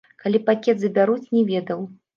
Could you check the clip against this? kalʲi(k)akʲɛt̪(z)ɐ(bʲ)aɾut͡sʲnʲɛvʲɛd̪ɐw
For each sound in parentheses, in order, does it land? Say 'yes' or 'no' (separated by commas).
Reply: no, yes, yes